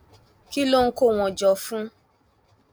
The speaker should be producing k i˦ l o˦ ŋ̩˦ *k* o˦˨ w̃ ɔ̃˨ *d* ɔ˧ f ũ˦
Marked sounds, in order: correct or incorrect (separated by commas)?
correct, incorrect